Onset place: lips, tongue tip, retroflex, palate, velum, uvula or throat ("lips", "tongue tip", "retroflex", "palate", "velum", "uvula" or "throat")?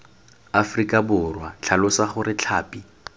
lips